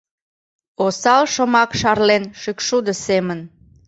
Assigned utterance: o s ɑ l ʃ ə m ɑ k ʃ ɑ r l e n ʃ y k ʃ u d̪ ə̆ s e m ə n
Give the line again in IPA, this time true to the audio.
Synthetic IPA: o s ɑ l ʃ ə m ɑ k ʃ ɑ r l e n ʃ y k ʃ u d̪ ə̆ s e m ə n